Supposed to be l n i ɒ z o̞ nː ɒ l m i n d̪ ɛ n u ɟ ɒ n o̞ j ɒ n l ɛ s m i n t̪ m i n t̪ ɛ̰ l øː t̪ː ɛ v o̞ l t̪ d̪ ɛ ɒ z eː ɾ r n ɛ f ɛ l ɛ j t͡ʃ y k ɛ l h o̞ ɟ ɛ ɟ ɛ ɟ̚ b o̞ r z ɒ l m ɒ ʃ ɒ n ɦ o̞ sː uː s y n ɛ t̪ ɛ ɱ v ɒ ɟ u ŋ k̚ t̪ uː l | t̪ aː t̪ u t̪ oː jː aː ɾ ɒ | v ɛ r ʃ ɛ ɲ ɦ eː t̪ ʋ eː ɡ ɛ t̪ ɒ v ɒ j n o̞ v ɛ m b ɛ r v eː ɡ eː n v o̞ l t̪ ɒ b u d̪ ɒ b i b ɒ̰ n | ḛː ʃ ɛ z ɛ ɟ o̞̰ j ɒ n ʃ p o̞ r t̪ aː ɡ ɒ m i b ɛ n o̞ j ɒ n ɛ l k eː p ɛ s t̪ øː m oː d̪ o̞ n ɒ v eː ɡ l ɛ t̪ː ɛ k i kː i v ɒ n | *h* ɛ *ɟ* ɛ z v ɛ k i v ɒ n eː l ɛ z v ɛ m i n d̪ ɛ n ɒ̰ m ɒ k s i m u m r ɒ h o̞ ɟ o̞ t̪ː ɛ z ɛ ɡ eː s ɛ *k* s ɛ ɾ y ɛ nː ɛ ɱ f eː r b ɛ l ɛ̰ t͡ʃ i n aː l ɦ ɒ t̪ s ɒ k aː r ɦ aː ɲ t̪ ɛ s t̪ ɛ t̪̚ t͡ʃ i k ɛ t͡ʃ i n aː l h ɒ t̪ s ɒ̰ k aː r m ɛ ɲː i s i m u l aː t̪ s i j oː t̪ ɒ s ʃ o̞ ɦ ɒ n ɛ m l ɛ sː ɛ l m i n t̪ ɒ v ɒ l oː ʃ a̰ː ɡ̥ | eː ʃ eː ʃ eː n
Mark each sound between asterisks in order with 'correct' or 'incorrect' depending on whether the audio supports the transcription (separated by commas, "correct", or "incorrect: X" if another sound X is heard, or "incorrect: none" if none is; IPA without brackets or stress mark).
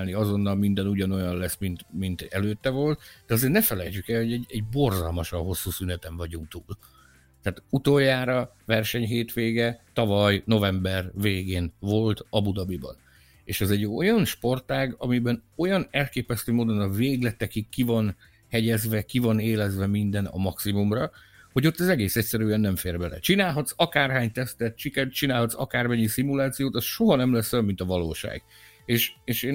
correct, correct, incorrect: c